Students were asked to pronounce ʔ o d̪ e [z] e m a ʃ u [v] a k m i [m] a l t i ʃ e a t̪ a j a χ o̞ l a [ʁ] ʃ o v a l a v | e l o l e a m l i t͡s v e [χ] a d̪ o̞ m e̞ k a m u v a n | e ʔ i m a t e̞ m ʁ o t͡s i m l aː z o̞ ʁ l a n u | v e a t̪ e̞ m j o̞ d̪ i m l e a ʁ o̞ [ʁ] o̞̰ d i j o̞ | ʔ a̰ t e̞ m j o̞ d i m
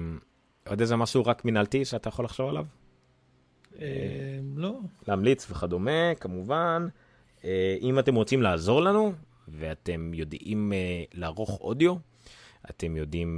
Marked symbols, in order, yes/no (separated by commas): yes, no, no, no, yes, no